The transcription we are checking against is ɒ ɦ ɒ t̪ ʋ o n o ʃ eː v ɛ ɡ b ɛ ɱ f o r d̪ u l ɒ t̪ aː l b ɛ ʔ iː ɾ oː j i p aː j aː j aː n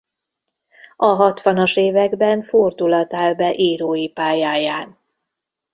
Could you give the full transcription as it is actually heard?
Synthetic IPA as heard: ɒ ɦ ɒ t̪ ʋ ɒ n o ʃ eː v ɛ ɡ b ɛ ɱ f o r d̪ u l ɒ t̪ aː l b ɛ ʔ iː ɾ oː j i p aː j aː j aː n

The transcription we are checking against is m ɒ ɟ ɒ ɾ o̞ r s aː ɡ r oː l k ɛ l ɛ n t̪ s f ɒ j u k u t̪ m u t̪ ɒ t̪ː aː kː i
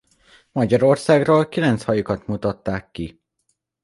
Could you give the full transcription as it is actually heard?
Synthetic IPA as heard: m ɒ ɟ ɒ ɾ o̞ r s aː ɡ r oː l k i l ɛ n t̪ s h ɒ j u k ɒ t̪ m u t̪ ɒ t̪ː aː kː i

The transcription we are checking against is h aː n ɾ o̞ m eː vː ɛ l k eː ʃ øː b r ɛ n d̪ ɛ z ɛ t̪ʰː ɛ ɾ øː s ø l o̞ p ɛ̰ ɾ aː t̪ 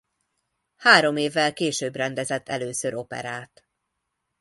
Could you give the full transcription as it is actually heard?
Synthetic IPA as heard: h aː ɾ o̞ m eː vː ɛ l k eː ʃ øː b r ɛ n d̪ ɛ z ɛ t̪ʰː ɛ l øː s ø ɾ o̞ p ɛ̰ ɾ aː t̪

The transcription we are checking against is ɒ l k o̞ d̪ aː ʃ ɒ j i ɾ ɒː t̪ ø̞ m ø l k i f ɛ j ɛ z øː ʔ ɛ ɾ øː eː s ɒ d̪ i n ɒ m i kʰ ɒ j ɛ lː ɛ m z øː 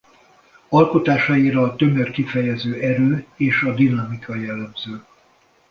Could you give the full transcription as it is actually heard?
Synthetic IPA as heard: ɒ l k o̞ t̪ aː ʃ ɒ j i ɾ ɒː t̪ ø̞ m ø r k i f ɛ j ɛ z øː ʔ ɛ ɾ øː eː ʃ ɒ d̪ i n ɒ m i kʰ ɒ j ɛ lː ɛ m z øː

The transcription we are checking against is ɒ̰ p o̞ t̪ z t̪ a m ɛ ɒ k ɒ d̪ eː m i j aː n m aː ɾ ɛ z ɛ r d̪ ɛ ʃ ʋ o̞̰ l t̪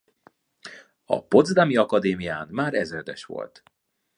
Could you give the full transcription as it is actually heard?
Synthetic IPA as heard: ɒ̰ p o̞ d̪ z d̪ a m i ɒ k ɒ d̪ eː m i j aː n m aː ɾ ɛ z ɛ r d̪ ɛ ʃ ʋ o̞̰ l t̪

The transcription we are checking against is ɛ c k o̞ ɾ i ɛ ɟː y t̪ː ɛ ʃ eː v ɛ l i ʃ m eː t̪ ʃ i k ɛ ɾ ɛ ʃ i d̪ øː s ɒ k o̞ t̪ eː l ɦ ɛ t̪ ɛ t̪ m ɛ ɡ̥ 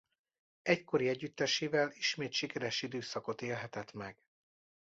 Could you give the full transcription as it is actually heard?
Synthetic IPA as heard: ɛ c k o̞ ɾ i ɛ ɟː y t̪ː ɛ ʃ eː v ɛ l i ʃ m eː t̪ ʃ i k ɛ ɾ ɛ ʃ i d̪ øː s ɒ k o̞ t̪ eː l ɦ ɛ t̪ ɛ t̪ m ɛ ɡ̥

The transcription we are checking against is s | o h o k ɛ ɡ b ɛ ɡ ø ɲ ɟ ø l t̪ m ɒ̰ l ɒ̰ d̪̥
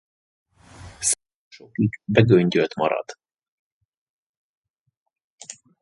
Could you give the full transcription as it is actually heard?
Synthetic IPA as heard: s | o ʃ o k i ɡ b ɛ ɡ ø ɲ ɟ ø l t̪ m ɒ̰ ɾ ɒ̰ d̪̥

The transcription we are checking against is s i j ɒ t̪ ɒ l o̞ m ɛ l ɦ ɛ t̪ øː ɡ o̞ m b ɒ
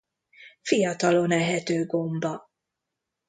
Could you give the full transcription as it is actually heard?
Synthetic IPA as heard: f i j ɒ t̪ ɒ l o̞ n ɛ ɦ ɛ t̪ øː ɡ o̞ m b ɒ

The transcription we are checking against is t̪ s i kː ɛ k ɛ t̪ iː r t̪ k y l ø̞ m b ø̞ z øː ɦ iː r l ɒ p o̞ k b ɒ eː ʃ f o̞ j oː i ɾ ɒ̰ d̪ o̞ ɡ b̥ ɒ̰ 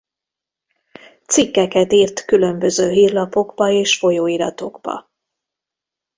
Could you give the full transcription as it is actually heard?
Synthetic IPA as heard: t̪ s i kː ɛ k ɛ t̪ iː r t̪ k y l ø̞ m b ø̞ z øː ɦ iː r l ɒ p o̞ ɡ b ɒ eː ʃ f o̞ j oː i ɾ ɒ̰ t̪ o̞ ɡ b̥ ɒ̰

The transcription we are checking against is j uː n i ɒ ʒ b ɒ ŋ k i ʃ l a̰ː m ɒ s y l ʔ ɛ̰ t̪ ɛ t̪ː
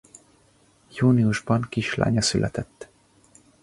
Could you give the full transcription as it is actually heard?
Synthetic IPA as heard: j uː n i u ʒ b ɒ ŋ k i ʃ l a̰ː ɲ ɒ s y l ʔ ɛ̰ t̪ ɛ t̪ː

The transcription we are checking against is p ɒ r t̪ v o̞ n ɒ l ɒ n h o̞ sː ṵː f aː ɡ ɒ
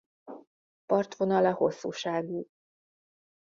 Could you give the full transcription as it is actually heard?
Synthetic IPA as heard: p ɒ r t̪ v o̞ n ɒ l ɒ h o̞ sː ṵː ʃ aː ɡ u

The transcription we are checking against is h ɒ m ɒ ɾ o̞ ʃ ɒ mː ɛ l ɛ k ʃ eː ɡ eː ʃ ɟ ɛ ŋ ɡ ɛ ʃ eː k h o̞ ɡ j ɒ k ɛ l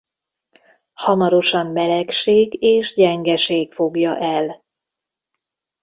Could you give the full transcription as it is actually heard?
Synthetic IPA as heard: h ɒ m ɒ ɾ o̞ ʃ ɒ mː ɛ l ɛ k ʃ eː ɡ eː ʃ ɟ ɛ ŋ ɡ ɛ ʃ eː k f o̞ ɡ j ɒ ʔ ɛ l

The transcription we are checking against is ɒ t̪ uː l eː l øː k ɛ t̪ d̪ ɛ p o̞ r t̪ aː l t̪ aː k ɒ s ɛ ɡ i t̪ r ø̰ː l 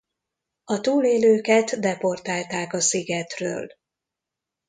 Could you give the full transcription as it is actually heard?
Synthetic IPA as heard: ɒ t̪ uː l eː l øː k ɛ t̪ d̪ ɛ p o̞ r t̪ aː l t̪ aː k ɒ s i ɡ ɛ t̪ r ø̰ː l

